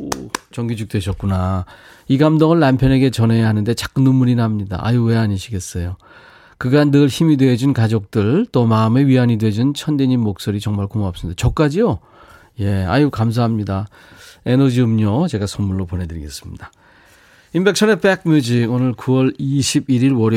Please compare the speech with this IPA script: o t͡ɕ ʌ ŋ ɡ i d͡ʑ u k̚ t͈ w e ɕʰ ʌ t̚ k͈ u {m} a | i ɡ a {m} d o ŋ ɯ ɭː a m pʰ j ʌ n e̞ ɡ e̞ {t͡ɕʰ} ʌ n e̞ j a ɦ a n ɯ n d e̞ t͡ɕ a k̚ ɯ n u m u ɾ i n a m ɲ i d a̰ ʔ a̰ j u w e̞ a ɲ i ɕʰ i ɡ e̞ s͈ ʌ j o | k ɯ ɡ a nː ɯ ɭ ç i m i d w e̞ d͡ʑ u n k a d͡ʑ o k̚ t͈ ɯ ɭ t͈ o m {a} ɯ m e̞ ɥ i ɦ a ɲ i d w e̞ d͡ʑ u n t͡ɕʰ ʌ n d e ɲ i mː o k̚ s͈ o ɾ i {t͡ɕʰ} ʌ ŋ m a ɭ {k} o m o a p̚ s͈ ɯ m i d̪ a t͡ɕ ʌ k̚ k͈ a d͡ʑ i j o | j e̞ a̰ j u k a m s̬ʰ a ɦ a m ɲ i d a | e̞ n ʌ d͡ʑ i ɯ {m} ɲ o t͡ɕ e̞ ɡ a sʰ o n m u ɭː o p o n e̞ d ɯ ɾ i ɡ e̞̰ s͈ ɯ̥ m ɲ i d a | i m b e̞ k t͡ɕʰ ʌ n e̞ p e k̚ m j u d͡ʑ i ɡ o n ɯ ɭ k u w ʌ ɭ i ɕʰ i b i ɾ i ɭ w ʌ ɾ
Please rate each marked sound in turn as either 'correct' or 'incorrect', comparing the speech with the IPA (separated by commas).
incorrect, correct, incorrect, correct, incorrect, correct, correct